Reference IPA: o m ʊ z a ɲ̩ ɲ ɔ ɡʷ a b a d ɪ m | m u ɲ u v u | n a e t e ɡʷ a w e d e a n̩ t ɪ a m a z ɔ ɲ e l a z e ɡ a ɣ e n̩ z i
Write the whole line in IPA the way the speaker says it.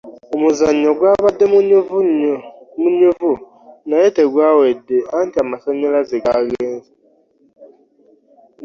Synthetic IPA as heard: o m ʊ z a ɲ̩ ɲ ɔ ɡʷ a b a d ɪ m | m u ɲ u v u | n a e t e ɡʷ a w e d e a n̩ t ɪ a m a s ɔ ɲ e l a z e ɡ a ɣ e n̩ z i